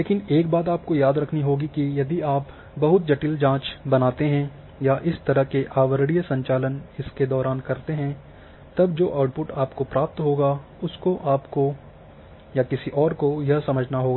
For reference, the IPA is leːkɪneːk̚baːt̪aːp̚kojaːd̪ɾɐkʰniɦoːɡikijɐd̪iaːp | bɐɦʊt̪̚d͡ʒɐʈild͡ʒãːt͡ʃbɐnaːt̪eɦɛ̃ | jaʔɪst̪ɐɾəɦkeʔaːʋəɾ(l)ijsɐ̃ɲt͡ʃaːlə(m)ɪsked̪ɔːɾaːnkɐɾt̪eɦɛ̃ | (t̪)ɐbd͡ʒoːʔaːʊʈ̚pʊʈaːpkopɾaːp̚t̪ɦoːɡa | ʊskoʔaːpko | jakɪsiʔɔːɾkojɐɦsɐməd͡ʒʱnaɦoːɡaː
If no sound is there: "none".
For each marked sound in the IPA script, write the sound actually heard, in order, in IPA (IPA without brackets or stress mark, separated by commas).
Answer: ɽ, n, t̪